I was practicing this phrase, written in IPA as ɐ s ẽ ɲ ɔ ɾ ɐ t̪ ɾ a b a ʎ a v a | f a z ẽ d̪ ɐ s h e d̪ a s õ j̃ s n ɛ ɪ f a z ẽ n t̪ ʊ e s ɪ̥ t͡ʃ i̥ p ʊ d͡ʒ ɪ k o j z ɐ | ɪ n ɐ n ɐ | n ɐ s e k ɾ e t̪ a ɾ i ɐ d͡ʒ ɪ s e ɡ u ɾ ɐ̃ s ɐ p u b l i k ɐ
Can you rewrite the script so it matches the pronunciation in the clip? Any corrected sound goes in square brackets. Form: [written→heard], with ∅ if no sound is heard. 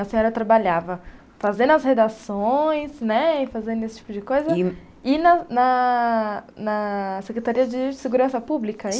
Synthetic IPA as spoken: ɐ s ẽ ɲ ɔ ɾ ɐ t̪ ɾ a b a ʎ a v [a→ɐ] | f a z ẽ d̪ ɐ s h e d̪ a s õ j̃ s n ɛ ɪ f a z ẽ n [t̪→d̪] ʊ e s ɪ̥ t͡ʃ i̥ p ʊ d͡ʒ ɪ k o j z ɐ | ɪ n ɐ n ɐ | n ɐ s e k ɾ e t̪ a ɾ i ɐ d͡ʒ ɪ s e ɡ u ɾ ɐ̃ s ɐ p u b l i k ɐ